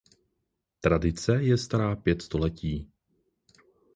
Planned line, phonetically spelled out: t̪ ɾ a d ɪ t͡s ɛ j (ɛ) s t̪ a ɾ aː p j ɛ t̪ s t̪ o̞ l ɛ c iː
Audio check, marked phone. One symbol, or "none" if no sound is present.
ɛ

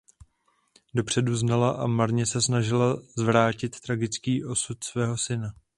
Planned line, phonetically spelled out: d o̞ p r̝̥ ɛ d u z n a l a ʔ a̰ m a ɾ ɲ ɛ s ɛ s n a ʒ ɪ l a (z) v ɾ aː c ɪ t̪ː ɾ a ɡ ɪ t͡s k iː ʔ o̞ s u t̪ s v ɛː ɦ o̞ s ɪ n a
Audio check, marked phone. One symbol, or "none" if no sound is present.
z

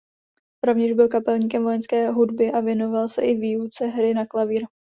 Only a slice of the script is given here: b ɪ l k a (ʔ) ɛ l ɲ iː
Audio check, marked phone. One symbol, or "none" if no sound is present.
p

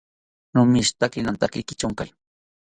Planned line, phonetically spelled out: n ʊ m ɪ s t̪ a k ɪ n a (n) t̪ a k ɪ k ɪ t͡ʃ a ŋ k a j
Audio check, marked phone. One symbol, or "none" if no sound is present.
n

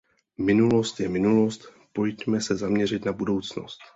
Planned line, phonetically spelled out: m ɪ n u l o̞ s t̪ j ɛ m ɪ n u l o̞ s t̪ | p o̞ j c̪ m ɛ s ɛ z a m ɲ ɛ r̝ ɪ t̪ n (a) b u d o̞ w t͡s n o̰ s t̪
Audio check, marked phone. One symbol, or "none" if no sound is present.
a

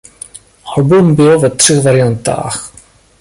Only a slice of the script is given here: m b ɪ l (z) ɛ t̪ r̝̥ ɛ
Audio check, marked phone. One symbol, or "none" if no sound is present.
v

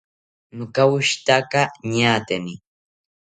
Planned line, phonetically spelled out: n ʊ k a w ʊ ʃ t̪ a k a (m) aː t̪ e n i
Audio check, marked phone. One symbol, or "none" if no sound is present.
ɲ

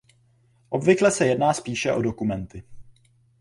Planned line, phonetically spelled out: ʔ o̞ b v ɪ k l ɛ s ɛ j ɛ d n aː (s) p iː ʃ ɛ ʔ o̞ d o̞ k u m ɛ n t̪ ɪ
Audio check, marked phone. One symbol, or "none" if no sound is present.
s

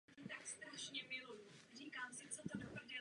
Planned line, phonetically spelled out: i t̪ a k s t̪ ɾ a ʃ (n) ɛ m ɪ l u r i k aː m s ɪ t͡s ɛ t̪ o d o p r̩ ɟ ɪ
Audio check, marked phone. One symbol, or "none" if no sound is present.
ɲ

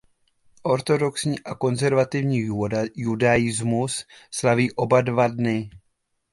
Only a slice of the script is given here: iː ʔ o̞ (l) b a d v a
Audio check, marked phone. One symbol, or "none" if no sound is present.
none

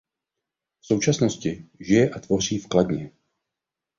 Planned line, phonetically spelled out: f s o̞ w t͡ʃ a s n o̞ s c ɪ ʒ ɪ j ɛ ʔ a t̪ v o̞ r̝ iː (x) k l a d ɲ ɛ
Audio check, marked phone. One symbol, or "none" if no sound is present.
f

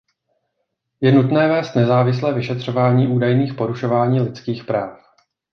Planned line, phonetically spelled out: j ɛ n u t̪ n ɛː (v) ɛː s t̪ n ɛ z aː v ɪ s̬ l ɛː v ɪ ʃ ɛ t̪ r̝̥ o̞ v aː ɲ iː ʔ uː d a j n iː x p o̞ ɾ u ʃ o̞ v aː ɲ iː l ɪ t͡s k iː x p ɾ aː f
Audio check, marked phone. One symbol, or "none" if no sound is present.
v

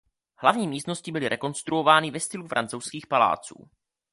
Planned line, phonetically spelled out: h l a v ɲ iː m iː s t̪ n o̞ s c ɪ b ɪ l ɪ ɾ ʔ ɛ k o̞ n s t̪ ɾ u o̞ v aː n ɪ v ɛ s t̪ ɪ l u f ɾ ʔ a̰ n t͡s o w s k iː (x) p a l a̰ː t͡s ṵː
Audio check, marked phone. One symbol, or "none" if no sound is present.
x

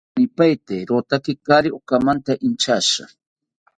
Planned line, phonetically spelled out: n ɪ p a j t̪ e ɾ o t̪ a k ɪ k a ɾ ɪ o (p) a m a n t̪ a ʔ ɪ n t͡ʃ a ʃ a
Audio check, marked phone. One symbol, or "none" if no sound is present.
k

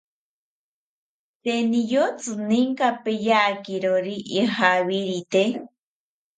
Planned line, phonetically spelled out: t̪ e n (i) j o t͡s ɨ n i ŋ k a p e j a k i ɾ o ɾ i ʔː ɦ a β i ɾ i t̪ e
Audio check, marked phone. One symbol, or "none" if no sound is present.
i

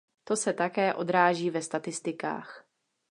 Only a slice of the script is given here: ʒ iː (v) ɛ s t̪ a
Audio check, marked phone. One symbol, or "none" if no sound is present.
v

